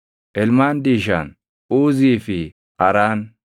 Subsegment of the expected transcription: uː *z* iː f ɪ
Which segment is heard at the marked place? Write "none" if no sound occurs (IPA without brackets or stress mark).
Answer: z